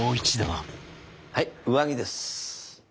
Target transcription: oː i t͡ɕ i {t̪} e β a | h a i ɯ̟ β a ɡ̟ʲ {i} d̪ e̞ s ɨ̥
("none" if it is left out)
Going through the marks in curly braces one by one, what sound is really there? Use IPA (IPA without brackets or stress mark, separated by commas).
d̪, i